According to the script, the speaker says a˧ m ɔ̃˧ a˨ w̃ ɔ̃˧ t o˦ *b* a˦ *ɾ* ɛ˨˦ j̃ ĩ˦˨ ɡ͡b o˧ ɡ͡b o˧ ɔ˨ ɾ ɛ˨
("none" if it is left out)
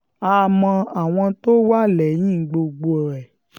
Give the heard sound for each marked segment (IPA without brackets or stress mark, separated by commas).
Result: w, l